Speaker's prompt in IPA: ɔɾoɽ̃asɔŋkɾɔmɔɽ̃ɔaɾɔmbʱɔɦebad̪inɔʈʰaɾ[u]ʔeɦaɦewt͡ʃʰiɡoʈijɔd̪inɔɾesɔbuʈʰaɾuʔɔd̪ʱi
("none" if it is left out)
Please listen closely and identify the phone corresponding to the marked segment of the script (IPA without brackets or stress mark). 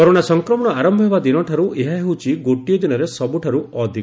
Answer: u